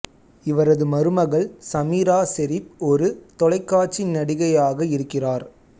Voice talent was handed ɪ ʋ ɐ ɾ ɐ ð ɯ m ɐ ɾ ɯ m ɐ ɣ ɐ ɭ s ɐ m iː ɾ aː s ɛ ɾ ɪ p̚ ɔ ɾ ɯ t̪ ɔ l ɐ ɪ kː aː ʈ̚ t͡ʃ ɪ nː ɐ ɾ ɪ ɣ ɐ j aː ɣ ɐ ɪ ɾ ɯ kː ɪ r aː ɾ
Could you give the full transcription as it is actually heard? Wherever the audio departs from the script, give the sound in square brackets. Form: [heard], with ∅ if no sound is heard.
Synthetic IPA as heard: ɪ ʋ ɐ ɾ ɐ ð ɯ m ɐ ɾ ɯ m ɐ ɣ ɐ ɭ s ɐ m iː ɾ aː s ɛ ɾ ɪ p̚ ɔ ɾ ɯ t̪ ɔ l ɐ ɪ kː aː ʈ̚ t͡ʃ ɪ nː ɐ [ɽ] ɪ ɣ ɐ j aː ɣ ɐ ɪ ɾ ɯ kː ɪ r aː ɾ